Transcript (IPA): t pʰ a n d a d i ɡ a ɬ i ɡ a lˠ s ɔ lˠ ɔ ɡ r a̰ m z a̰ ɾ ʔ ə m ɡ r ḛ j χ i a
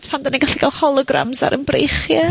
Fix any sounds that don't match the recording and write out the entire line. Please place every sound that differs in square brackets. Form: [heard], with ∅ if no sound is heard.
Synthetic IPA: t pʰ a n d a [n] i ɡ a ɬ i ɡ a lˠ [h] ɔ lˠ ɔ ɡ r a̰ m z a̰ ɾ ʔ ə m [b] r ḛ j χ [j] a